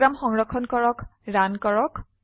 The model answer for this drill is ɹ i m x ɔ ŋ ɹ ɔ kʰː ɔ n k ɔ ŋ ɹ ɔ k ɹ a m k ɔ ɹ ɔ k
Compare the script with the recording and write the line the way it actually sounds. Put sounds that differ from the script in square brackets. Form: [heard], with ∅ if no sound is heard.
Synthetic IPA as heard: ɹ [a] m x ɔ ŋ ɹ ɔ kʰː ɔ n k ɔ [∅] ɹ ɔ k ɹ a [n] k ɔ ɹ ɔ k